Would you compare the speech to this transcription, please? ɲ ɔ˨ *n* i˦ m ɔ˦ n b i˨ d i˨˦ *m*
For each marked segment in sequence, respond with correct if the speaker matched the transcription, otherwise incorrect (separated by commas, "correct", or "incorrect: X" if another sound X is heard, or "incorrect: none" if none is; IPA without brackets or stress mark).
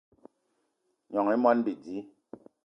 incorrect: ŋ, incorrect: none